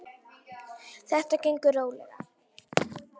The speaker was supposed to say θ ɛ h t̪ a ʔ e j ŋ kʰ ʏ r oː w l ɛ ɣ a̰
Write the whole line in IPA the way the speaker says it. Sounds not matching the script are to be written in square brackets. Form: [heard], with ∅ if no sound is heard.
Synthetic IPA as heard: θ ɛ h t̪ a [c] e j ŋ [k] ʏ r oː w l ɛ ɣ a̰